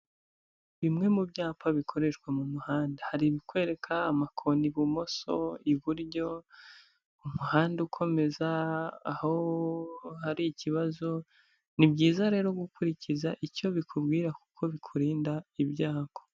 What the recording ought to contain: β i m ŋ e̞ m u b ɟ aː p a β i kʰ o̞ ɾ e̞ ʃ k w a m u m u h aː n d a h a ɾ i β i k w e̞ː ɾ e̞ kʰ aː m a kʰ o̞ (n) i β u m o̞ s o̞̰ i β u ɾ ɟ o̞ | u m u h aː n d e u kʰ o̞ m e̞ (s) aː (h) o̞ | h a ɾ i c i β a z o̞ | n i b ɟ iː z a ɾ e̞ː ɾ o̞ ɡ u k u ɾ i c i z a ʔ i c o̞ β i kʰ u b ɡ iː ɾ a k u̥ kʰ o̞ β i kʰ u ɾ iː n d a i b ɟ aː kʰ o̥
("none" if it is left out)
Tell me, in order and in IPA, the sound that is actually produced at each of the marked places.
n, z, h

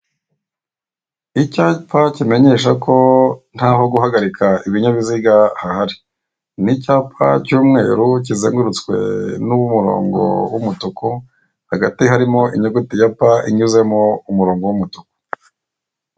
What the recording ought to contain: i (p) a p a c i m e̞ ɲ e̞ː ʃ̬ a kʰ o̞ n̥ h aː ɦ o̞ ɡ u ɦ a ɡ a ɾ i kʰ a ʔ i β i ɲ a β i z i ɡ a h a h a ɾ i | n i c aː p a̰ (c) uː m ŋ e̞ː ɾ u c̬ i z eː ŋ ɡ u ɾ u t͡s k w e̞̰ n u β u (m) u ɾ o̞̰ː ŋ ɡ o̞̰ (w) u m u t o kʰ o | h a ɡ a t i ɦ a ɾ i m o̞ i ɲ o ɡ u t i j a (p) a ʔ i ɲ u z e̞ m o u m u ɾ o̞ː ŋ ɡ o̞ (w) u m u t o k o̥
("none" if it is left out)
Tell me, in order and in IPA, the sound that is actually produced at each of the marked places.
c, c, m, w, p, w

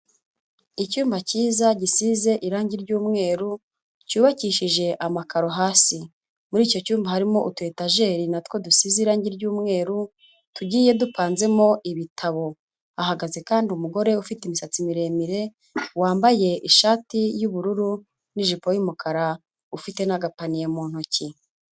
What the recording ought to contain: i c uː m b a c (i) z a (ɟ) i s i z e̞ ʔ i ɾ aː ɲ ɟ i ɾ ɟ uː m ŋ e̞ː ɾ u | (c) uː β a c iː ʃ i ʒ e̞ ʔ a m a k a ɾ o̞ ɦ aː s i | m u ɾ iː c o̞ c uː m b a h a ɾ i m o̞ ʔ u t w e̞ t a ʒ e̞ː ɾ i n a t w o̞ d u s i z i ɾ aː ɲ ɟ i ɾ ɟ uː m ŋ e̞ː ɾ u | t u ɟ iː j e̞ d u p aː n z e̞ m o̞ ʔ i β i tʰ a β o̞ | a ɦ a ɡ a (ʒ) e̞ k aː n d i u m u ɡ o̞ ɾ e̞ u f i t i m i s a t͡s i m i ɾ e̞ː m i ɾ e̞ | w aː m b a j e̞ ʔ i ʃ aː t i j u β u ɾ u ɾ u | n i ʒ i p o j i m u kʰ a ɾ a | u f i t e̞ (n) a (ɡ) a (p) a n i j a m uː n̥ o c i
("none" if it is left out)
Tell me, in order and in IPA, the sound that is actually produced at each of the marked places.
iː, ɟ, c, z, n, ɡ, p

